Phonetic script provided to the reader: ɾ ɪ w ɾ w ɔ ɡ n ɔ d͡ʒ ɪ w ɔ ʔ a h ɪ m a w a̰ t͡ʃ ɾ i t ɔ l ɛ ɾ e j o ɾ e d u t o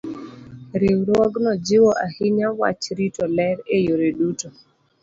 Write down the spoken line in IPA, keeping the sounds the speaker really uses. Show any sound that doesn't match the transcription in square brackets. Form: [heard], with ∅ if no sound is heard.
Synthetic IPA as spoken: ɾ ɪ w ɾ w ɔ ɡ n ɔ d͡ʒ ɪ w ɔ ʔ a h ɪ [ɲ] a w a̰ t͡ʃ ɾ i t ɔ l ɛ ɾ e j o ɾ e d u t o